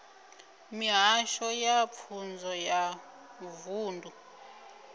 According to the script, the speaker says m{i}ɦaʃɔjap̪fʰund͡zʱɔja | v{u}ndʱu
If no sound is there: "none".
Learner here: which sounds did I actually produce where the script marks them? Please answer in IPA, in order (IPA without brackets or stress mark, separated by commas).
i, uː